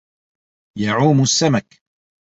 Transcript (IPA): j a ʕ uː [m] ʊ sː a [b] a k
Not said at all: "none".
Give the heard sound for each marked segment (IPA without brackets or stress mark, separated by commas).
m, m